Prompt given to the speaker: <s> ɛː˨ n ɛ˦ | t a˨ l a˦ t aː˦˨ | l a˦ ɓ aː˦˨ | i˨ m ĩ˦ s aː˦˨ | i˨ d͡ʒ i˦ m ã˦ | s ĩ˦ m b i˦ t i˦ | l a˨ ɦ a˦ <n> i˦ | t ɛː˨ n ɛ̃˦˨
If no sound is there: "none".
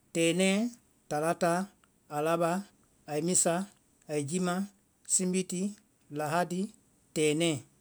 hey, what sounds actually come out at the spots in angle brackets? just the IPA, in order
t, d

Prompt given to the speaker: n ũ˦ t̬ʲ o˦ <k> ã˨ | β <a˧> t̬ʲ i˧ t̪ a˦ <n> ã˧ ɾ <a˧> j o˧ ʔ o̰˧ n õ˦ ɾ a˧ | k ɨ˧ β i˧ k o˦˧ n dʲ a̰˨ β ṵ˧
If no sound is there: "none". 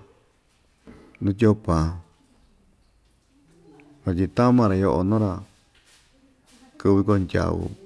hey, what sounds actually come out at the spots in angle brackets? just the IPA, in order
p, a˧, m, a˧

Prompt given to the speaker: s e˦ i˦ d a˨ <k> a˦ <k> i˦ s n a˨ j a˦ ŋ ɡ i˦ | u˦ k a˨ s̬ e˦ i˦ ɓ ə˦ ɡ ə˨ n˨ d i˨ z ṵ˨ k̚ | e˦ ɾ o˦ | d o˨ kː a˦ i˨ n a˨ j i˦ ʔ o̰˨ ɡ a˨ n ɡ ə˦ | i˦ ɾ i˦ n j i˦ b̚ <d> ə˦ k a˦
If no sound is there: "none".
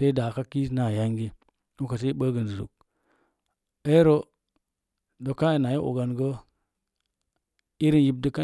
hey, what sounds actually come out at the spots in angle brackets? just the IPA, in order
k, k, d

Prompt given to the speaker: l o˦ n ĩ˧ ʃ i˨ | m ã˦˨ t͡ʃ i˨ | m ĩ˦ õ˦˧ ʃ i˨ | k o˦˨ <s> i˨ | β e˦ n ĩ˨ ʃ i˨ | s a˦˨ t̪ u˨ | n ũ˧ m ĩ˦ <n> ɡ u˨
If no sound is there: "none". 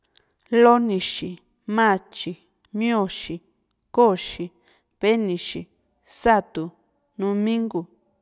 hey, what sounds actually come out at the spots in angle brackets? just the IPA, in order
ʃ, ŋ

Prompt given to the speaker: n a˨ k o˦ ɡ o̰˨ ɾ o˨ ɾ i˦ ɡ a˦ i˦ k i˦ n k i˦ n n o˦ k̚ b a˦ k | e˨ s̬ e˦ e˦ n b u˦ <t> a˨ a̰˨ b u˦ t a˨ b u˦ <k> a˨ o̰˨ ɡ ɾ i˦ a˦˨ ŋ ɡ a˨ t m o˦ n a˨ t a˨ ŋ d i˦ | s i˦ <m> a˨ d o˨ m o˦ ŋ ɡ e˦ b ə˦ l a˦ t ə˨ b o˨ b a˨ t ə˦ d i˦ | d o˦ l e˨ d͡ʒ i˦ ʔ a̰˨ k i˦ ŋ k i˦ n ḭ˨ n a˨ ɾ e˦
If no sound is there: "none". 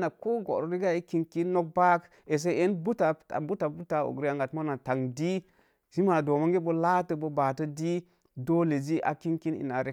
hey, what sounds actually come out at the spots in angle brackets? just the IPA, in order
t, t, m

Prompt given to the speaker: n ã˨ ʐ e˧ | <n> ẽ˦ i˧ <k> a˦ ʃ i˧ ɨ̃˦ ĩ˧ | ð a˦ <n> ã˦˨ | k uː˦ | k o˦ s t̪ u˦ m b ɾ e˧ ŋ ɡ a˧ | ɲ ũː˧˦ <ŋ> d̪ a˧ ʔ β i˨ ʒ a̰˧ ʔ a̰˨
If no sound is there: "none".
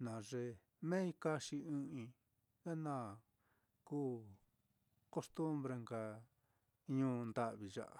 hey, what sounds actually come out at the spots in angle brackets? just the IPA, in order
m, k, n, n

